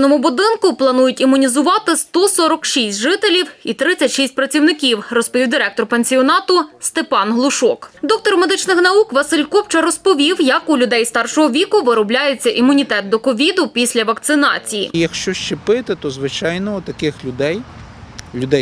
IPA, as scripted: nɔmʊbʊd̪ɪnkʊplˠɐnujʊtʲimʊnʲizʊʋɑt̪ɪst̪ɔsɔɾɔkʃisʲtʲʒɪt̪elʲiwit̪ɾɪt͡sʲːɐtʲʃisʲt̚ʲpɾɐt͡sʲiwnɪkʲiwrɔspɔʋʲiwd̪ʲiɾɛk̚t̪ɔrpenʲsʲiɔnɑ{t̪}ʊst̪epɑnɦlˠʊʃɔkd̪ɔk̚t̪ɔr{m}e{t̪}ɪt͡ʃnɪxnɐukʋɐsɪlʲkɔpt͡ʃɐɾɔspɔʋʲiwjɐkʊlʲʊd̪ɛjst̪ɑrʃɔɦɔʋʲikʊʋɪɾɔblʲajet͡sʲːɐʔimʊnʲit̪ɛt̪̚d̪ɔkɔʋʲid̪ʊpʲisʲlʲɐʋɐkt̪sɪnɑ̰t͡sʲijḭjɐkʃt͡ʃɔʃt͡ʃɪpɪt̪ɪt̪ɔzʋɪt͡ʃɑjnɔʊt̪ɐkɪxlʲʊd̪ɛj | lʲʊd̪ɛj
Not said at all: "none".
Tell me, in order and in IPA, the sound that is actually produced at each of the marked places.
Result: t̪, m, d̪

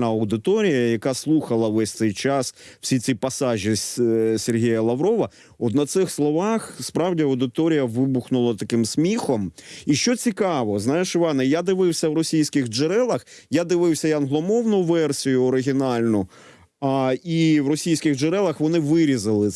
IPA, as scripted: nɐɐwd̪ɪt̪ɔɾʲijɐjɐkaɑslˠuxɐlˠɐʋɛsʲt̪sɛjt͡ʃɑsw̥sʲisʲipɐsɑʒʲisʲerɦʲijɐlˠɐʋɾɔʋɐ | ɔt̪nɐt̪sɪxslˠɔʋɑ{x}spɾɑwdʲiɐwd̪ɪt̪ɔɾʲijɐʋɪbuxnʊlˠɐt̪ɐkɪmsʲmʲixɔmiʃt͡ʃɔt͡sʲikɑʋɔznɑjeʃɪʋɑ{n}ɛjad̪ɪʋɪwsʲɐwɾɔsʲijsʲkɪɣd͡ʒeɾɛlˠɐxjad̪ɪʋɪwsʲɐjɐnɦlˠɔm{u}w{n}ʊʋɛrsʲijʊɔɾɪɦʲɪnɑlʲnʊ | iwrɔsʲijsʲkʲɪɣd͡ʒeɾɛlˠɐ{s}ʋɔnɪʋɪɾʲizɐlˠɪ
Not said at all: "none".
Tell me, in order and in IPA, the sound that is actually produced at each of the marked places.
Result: x, n, ɔ, n, x

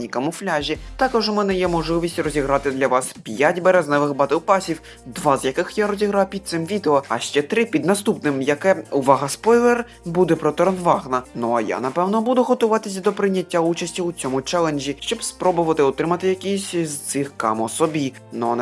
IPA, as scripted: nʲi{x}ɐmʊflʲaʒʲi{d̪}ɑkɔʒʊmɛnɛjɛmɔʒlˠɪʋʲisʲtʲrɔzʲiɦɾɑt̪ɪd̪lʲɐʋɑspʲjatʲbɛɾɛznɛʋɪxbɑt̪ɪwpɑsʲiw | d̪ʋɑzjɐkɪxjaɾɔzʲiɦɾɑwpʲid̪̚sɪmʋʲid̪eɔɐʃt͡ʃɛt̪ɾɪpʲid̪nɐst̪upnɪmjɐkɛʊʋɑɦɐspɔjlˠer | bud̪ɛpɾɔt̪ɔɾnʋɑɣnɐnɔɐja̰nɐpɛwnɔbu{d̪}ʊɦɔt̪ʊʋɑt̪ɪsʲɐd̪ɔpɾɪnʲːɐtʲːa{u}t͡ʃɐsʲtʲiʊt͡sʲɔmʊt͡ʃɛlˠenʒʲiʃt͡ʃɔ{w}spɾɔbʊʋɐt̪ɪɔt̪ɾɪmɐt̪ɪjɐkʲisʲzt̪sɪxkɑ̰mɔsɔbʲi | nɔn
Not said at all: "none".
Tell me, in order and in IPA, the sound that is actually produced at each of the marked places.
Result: k, t̪, d̪, u, b

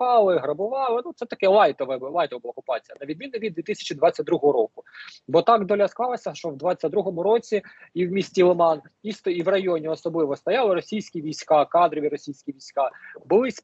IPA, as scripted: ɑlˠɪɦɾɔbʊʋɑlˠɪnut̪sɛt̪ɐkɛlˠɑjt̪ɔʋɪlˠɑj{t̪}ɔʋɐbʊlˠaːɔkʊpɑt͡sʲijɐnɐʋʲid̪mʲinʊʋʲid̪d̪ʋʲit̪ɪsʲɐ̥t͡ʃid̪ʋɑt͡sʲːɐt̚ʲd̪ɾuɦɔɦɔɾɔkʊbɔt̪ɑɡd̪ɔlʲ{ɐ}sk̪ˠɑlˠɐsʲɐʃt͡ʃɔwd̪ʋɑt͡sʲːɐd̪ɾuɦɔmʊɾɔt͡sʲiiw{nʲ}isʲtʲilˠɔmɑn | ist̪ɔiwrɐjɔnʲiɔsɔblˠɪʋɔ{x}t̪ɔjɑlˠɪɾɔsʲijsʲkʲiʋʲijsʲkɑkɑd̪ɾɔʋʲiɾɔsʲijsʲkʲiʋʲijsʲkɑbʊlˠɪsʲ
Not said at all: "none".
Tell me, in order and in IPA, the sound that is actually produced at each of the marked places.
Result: t̪, ɐ, mʲ, s

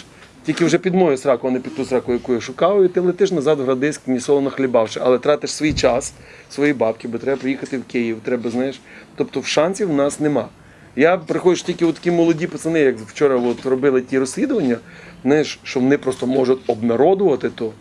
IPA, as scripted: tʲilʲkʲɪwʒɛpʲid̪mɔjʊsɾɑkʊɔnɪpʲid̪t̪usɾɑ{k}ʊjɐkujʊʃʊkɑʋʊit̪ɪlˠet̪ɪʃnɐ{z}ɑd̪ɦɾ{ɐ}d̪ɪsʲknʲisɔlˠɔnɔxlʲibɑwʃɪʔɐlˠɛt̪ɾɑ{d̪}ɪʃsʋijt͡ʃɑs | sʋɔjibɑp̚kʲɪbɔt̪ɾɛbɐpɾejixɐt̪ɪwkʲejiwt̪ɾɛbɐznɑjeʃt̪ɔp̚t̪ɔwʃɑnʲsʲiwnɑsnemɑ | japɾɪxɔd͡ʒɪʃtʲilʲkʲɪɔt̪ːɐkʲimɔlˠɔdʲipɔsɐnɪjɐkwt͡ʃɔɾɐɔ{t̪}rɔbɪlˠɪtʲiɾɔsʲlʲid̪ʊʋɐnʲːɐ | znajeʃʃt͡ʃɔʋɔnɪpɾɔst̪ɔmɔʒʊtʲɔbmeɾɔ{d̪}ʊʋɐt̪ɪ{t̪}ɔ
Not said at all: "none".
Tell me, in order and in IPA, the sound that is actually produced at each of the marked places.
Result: k, z, ɐ, t̪, t̪, d̪, t̪

